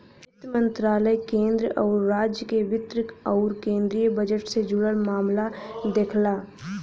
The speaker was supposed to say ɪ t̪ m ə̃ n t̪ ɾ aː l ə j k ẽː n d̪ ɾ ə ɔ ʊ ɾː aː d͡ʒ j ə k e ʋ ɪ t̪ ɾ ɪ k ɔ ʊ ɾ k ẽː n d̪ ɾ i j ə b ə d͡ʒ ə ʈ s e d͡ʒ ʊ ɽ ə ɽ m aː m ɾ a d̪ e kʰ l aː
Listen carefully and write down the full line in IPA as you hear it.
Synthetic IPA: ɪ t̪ m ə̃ n t̪ ɾ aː l ə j k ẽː n d̪ ɾ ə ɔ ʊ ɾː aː d͡ʒ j ə k e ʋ ɪ t̪ ɾ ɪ k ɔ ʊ ɾ k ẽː n d̪ ɾ i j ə b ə d͡ʒ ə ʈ s e d͡ʒ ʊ ɽ ə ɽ m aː m l a d̪ e kʰ l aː